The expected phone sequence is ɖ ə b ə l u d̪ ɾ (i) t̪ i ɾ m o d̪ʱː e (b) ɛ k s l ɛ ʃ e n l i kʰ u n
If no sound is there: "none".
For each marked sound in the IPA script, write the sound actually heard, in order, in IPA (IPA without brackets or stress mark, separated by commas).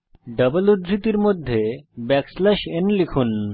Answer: i, b